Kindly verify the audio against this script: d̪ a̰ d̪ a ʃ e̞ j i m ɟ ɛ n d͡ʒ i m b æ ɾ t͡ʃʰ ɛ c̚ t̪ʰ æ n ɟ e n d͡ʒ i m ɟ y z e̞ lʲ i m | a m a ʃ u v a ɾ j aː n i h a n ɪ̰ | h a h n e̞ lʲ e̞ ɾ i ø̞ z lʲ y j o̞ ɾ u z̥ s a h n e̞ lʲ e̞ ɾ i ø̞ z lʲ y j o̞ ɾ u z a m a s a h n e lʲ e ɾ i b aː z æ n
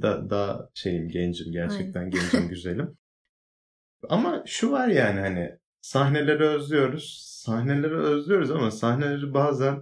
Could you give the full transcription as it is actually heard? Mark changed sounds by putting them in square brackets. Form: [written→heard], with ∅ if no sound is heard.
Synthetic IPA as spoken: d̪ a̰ d̪ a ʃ e̞ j i m ɟ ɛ n d͡ʒ i m [b→ɟ] æ ɾ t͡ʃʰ ɛ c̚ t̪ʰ æ n ɟ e n d͡ʒ i m ɟ y z e̞ lʲ i m | a m a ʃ u v a ɾ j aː n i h a n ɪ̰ | [h→s] a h n e̞ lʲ e̞ ɾ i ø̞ z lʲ y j o̞ ɾ u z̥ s a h n e̞ lʲ e̞ ɾ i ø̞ z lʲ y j o̞ ɾ u z a m a s a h n e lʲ e ɾ i b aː z æ n